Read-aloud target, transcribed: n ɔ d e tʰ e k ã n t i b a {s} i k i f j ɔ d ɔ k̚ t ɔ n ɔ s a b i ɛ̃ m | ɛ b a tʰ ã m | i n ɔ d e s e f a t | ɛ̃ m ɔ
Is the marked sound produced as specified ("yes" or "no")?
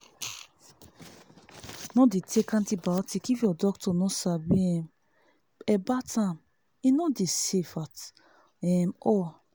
no